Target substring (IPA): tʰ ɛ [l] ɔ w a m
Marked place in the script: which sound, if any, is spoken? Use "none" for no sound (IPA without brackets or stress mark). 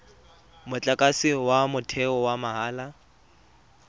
none